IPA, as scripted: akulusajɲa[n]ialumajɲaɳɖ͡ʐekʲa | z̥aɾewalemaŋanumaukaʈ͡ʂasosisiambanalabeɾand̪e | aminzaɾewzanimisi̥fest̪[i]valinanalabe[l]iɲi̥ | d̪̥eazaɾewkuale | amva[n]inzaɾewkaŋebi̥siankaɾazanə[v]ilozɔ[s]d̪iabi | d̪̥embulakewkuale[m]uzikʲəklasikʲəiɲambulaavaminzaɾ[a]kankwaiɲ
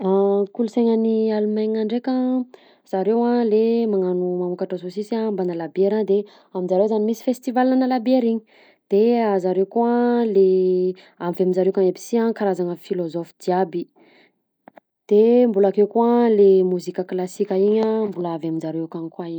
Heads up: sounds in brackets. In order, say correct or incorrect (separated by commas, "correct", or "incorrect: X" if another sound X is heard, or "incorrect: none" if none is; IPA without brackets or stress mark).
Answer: correct, correct, incorrect: ɾ, incorrect: m, incorrect: f, incorrect: f, correct, incorrect: e